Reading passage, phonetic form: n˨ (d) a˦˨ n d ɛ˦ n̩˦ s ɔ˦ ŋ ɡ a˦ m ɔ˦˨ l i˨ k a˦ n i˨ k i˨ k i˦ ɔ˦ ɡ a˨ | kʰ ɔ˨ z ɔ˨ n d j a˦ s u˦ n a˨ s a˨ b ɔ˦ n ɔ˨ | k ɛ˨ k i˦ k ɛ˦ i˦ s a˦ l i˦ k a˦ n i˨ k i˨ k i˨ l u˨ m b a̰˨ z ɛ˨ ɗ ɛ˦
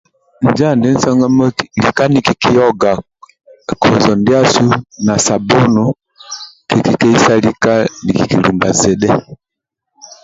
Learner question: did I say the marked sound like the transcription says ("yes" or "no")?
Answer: no